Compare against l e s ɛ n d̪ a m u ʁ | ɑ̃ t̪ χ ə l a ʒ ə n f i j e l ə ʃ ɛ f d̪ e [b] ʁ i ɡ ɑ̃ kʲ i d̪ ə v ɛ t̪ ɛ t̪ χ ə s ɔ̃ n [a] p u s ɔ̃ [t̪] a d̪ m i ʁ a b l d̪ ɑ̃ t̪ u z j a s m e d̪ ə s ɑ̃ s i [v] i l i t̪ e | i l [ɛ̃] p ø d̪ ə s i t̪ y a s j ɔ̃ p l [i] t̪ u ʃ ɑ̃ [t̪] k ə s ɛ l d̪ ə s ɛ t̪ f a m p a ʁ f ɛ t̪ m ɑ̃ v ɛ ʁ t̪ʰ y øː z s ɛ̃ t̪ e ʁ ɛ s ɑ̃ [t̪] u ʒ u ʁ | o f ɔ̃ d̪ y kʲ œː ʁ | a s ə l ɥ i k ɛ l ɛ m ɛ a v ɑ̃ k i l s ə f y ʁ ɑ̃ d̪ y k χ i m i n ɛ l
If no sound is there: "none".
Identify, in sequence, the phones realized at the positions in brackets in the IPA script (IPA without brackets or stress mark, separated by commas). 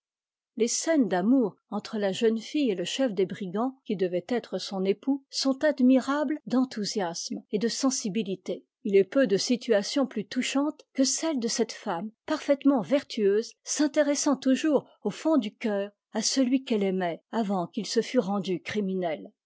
b, e, t̪, b, ɛ, y, t̪, t̪